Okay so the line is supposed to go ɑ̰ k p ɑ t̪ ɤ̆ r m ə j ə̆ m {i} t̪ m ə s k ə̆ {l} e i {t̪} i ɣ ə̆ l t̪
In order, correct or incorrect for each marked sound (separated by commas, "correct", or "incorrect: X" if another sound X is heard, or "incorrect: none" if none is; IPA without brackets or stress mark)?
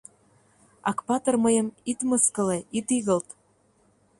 correct, correct, correct